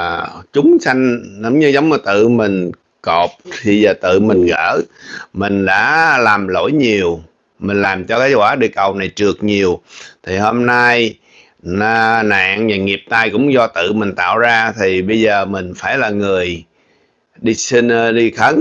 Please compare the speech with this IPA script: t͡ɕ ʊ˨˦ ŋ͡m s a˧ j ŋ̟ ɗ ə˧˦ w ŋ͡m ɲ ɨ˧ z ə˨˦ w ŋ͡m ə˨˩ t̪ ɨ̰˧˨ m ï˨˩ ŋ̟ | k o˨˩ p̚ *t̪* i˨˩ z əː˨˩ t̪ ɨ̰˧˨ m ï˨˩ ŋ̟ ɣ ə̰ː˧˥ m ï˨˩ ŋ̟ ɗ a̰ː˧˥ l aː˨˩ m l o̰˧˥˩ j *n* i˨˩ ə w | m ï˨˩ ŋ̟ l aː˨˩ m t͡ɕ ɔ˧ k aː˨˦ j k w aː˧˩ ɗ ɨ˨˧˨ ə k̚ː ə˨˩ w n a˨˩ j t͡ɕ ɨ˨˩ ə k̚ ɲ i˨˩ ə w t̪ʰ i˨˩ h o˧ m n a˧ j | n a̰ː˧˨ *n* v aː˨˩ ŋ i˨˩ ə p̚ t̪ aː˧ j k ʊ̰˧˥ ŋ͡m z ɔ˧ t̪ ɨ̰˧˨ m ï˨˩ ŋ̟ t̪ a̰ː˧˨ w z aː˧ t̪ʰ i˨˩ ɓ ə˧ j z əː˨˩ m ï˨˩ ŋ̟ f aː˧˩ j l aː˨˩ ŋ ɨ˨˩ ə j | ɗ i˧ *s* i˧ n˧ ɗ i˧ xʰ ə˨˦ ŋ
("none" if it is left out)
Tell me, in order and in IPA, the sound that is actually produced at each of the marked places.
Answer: t̪ʰ, ɲ, ŋ, s

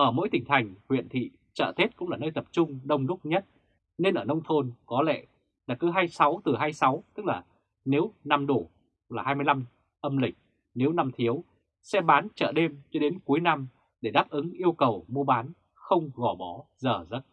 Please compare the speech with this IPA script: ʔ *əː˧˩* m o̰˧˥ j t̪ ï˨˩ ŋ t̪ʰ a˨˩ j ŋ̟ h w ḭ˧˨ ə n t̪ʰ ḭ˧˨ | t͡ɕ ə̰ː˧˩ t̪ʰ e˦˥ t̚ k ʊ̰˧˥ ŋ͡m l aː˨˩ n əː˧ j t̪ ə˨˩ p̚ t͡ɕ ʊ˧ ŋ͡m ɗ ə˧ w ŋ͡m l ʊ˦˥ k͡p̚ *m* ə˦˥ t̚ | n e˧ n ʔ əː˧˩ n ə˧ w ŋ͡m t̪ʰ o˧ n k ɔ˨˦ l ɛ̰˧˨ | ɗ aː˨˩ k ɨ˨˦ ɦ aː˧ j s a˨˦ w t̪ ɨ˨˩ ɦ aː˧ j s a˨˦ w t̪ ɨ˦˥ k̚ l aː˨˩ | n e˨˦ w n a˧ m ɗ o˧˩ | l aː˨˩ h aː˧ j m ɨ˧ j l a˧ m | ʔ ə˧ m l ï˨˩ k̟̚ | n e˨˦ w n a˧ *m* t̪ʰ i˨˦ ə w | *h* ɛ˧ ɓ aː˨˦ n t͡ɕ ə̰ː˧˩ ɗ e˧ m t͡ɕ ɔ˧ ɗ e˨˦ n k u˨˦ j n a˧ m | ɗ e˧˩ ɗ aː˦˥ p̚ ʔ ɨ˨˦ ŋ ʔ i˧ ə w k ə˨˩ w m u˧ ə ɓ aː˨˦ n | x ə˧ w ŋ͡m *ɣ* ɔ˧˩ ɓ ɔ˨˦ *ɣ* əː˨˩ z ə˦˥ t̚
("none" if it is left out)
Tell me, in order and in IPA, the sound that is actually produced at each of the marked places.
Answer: əː˧˩, ɲ, m, s, ɣ, z

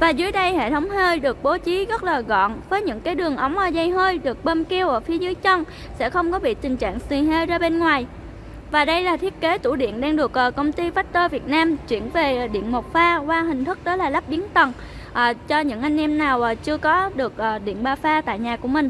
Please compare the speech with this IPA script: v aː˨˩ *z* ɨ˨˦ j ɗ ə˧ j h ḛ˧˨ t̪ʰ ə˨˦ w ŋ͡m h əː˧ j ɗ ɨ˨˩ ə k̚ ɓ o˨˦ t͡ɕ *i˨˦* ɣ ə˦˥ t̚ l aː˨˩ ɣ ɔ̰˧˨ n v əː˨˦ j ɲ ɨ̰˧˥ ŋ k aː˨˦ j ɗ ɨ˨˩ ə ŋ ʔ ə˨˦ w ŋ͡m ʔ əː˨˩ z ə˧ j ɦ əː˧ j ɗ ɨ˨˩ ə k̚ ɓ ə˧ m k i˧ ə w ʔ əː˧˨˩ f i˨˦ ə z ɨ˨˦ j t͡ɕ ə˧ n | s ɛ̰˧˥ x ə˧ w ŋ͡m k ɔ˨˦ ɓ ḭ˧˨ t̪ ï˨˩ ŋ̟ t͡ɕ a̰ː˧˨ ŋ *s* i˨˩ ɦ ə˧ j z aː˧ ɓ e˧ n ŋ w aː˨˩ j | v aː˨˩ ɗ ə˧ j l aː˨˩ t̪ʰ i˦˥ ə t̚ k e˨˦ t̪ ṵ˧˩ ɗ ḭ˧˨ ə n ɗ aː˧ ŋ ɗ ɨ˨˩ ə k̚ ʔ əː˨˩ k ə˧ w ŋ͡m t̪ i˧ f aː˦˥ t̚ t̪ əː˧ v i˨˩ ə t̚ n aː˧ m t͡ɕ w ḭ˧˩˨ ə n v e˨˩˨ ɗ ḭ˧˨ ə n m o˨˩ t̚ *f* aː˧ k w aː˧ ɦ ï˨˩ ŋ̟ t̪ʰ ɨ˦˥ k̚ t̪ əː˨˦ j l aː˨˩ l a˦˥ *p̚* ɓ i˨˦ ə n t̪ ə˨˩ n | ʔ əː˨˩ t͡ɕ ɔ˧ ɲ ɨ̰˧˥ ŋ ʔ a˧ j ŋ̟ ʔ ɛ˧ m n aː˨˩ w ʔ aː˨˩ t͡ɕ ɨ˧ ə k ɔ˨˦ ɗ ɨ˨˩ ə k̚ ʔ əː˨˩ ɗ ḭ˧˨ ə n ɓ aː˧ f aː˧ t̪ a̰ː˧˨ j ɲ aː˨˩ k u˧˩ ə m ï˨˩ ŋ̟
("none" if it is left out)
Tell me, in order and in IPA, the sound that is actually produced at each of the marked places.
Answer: z, i˨˦, s, f, p̚

